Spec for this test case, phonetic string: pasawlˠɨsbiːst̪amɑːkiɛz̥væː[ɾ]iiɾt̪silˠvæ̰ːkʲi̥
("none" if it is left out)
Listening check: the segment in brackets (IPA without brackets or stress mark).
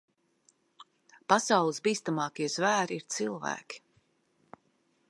ɾ